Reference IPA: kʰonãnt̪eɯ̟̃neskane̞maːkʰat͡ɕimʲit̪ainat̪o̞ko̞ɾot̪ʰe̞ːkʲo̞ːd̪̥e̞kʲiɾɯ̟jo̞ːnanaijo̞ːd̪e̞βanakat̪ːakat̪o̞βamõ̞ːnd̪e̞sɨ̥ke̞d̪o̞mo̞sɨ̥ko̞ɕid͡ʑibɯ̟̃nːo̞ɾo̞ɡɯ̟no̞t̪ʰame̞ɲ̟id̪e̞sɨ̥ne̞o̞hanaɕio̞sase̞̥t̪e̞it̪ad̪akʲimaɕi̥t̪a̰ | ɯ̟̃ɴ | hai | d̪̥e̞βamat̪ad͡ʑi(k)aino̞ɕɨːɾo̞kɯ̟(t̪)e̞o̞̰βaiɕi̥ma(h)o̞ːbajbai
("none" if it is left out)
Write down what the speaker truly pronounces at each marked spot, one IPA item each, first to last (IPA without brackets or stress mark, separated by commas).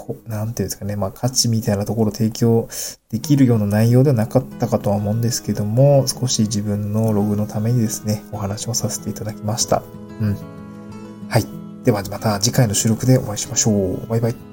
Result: k, d̪, ɕ